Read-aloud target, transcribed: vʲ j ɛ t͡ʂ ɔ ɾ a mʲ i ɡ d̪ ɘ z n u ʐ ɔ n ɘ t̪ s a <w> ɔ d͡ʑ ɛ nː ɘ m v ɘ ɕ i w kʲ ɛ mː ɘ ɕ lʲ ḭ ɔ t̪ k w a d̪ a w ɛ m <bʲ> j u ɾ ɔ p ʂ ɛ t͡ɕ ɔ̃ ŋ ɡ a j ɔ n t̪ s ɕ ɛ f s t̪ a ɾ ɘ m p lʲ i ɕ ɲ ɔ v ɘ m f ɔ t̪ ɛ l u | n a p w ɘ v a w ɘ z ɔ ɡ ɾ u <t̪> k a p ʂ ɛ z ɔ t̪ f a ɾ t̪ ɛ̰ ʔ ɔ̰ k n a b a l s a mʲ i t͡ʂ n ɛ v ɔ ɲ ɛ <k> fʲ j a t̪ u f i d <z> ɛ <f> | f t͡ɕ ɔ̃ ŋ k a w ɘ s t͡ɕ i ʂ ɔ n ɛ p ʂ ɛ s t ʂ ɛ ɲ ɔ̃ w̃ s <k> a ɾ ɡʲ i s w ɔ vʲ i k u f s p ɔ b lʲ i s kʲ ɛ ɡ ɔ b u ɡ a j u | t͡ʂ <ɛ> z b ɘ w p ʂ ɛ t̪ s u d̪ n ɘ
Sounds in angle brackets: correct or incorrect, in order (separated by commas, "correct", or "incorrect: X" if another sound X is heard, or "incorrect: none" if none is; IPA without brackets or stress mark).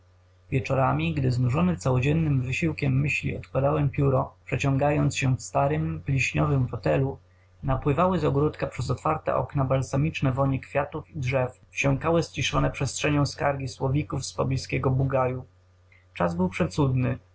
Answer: correct, incorrect: pʲ, correct, correct, incorrect: ʐ, correct, correct, incorrect: a